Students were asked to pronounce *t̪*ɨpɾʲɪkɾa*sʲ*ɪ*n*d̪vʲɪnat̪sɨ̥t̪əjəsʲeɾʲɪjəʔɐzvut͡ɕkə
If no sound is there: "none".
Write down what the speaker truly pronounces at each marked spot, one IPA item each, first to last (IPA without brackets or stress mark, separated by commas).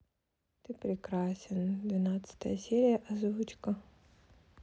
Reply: t̪, sʲ, n